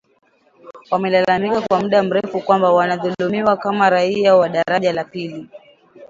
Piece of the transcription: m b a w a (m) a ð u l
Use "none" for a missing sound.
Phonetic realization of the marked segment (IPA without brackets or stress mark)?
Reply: n